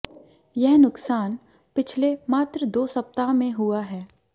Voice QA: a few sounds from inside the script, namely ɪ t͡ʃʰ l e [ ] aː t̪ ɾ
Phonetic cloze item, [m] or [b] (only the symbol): m